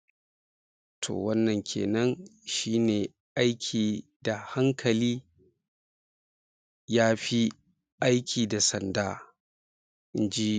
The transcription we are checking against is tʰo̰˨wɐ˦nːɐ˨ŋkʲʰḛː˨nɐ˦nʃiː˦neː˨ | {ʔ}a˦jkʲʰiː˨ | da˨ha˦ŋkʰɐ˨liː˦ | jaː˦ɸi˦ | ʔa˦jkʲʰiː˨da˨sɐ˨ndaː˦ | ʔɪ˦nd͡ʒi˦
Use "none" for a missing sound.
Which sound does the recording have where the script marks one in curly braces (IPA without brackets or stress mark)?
ʔ